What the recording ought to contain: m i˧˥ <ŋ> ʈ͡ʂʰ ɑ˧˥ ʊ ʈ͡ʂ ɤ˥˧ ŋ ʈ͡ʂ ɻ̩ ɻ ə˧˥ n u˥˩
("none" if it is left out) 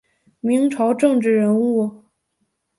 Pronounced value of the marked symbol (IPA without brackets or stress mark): ŋ